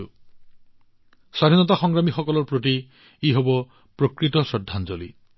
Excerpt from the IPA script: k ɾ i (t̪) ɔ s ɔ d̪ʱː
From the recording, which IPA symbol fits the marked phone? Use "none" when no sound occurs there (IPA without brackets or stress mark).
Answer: t̪